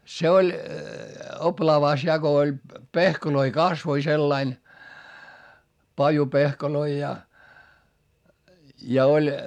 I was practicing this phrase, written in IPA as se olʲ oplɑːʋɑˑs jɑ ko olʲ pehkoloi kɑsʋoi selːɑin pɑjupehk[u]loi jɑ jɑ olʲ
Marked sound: incorrect: o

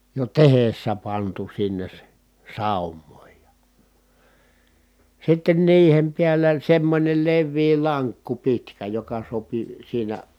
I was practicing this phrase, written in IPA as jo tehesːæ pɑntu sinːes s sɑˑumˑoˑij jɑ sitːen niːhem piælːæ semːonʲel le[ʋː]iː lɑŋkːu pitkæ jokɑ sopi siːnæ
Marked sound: correct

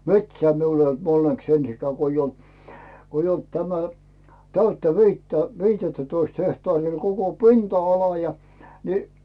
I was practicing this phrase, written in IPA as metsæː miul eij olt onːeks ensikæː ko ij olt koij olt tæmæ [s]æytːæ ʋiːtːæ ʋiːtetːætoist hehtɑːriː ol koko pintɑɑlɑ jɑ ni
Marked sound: incorrect: t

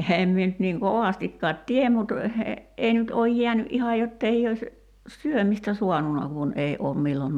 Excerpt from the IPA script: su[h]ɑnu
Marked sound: incorrect: none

